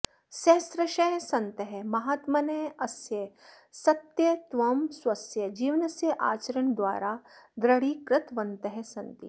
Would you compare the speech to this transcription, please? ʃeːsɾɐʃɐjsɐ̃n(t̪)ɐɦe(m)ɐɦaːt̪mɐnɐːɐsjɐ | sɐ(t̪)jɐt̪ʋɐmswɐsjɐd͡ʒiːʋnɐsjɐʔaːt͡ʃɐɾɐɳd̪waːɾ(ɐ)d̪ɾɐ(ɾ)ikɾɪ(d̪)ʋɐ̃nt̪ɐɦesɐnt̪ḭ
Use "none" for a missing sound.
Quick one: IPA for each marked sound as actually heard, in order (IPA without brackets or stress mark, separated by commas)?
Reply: t̪, m, t̪, a, ɽ, t̪